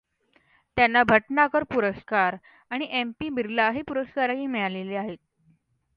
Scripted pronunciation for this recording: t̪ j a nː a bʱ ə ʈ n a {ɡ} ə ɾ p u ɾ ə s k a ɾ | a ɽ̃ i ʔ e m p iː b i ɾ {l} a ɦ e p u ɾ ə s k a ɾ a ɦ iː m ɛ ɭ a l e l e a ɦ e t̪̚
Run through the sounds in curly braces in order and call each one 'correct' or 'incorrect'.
incorrect: k, correct

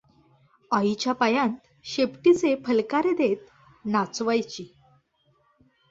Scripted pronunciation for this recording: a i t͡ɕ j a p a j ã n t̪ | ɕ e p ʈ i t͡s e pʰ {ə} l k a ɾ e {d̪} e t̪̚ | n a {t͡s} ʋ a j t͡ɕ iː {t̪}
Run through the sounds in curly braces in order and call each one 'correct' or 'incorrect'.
correct, correct, correct, incorrect: none

